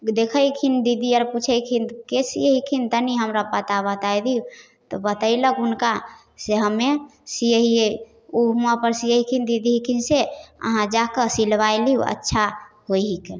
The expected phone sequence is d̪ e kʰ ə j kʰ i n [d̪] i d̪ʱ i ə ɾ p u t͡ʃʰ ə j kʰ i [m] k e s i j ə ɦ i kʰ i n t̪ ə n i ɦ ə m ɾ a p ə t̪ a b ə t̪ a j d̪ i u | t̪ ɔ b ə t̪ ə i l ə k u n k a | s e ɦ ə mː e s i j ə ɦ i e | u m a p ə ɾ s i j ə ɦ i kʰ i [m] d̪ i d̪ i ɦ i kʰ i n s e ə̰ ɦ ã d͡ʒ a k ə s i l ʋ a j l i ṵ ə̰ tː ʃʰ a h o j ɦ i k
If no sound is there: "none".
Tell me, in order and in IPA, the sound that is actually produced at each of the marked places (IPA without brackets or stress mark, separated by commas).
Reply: d̪, n, n